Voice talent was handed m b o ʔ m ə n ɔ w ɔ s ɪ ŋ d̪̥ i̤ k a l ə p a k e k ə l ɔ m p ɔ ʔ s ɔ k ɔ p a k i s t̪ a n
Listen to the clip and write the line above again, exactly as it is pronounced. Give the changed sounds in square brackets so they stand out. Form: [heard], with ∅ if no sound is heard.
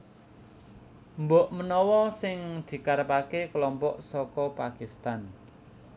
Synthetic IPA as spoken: m b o ʔ m ə n ɔ w ɔ s ɪ ŋ d̪̥ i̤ k a [ɾ] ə p a k e k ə l ɔ m p ɔ ʔ s ɔ k ɔ p a k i s t̪ a n

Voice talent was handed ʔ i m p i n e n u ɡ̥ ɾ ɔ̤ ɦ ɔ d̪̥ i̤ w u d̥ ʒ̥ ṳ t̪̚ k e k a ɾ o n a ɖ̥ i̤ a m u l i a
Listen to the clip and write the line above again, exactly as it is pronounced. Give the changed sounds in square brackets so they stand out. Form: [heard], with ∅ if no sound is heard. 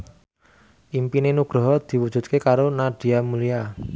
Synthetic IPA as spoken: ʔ i m p i n e n u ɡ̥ ɾ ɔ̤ ɦ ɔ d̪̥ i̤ w u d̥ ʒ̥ ṳ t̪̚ k e k a ɾ o n a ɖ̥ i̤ a m u l i a

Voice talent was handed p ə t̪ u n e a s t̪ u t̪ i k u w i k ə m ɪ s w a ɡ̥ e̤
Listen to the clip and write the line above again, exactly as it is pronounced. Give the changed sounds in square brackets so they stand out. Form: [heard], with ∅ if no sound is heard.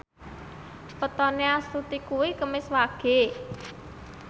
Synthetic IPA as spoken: p ə t̪ [ɔ] n e a s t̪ u t̪ i k u w i k ə m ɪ s w a ɡ̥ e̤

